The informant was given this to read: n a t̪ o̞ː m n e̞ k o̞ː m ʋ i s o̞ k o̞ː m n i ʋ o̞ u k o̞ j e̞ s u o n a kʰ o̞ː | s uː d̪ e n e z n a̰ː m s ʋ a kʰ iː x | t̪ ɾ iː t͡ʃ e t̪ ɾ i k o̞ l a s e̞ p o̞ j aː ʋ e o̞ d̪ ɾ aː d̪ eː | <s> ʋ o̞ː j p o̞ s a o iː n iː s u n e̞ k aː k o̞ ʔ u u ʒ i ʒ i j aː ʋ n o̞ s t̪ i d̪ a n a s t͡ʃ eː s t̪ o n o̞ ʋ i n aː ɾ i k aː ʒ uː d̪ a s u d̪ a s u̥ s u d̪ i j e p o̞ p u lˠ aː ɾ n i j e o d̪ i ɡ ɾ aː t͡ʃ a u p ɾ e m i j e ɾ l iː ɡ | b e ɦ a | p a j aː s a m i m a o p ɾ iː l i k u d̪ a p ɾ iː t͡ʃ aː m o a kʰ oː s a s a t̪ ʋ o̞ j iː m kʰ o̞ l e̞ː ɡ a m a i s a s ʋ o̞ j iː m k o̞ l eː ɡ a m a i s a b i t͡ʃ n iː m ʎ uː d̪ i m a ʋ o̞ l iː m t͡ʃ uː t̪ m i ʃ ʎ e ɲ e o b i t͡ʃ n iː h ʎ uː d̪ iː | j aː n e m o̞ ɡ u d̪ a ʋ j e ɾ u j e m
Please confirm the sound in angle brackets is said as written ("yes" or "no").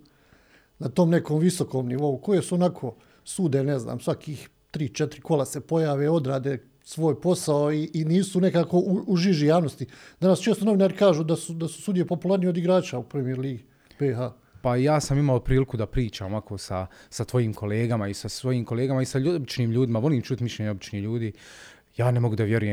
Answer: yes